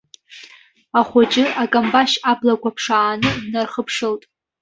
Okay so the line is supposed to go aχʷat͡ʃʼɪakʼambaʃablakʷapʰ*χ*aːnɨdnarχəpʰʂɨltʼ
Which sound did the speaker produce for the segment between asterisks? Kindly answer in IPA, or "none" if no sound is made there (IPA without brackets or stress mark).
ʂ